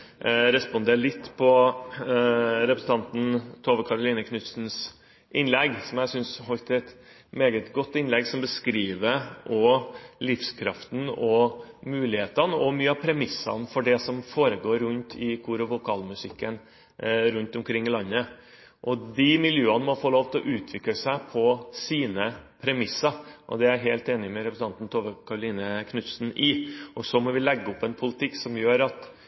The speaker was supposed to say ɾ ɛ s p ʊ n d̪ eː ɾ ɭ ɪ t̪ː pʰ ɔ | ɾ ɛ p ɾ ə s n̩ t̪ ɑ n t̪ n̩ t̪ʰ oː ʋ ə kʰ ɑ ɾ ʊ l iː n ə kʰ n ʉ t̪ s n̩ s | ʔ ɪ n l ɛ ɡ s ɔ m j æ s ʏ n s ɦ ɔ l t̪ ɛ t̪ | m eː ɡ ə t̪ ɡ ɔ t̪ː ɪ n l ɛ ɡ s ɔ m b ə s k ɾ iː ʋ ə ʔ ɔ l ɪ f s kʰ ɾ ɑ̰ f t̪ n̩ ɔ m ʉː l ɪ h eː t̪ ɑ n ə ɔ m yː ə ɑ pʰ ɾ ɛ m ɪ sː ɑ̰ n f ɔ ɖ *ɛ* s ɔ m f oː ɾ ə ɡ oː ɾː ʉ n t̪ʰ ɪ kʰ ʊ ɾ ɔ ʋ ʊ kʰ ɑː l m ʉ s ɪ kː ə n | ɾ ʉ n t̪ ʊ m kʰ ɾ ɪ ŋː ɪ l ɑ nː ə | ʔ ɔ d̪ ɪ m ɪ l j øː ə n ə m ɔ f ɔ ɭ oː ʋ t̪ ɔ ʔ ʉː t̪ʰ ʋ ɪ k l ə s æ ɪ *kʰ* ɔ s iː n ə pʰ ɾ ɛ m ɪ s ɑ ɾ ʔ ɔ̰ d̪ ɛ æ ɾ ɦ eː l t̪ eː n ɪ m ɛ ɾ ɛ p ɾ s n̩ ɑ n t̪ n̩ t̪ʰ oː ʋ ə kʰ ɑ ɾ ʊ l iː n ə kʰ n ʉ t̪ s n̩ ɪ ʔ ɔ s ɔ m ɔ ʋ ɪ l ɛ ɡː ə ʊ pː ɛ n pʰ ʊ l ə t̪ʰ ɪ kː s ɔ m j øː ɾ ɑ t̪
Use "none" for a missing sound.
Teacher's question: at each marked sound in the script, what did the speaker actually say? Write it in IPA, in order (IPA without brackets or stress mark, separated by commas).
ɛ, pʰ